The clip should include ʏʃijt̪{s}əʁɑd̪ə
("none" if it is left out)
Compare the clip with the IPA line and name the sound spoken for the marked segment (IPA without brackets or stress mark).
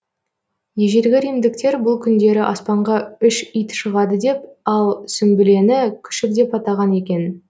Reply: ʃ